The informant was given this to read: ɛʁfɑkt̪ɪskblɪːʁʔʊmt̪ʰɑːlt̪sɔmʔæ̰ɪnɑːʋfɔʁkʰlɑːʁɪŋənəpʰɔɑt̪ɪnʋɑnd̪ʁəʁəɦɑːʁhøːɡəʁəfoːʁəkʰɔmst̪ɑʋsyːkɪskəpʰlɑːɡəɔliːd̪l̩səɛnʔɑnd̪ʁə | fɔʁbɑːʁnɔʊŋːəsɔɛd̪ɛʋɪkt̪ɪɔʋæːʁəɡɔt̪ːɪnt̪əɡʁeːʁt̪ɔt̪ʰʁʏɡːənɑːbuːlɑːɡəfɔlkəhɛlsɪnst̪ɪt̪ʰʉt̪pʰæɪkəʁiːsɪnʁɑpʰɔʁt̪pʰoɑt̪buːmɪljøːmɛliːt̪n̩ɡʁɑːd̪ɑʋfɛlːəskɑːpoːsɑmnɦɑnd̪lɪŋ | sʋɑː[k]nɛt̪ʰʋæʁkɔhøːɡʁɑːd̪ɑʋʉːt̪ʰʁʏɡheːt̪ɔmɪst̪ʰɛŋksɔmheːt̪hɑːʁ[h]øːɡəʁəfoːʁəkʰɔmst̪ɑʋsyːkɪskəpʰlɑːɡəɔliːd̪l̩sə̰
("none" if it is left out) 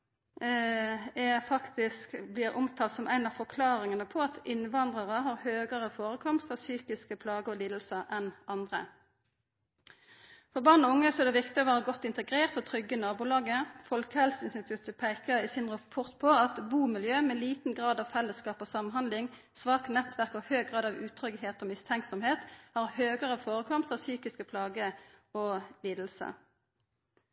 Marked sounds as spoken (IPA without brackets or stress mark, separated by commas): k, h